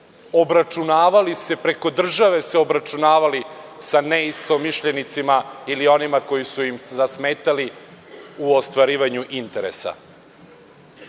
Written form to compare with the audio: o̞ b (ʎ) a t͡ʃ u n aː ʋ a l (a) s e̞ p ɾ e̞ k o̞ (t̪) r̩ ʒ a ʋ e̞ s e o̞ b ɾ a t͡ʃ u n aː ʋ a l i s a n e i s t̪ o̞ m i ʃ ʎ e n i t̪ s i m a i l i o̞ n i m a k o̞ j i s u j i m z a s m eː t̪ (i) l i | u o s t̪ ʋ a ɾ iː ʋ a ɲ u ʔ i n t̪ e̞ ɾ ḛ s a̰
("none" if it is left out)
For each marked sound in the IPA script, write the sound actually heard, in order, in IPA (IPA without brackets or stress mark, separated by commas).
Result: ɾ, i, d̪, a